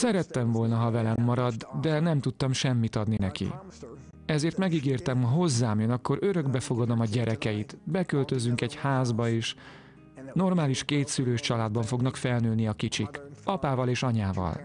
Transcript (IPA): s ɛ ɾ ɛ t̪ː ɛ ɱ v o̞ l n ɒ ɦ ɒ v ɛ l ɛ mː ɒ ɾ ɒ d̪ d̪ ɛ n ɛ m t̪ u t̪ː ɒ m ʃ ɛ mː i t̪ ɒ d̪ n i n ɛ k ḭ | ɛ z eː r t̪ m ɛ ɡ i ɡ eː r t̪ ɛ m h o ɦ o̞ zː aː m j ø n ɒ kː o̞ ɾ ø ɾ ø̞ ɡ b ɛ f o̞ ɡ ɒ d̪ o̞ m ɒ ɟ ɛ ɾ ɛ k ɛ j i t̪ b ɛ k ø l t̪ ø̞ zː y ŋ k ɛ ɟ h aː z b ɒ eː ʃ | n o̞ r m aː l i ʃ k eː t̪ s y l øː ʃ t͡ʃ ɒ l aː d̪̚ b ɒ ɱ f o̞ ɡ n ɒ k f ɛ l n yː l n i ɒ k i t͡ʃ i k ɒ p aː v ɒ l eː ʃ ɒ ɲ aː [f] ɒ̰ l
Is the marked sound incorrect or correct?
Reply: incorrect